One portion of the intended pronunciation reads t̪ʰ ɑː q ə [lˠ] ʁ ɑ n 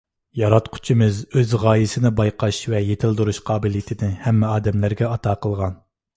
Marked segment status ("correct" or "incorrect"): correct